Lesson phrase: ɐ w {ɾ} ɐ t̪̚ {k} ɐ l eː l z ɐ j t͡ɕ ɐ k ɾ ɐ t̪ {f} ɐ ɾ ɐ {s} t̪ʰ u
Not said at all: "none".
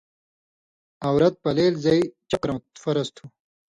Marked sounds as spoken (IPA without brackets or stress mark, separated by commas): ɾ, p, f, s